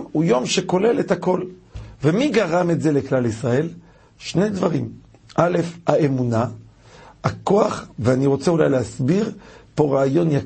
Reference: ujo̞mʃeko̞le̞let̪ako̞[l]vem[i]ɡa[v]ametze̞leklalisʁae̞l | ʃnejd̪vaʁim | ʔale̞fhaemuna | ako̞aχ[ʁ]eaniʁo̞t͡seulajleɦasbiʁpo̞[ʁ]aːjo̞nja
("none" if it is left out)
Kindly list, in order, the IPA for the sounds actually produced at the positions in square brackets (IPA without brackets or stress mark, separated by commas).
l, i, ʁ, v, ʁ